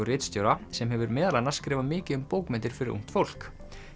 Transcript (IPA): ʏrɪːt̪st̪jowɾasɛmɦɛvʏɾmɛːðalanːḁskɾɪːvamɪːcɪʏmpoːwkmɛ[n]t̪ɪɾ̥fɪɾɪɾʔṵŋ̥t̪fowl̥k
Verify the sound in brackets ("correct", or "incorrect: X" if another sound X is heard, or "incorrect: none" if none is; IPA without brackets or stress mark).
correct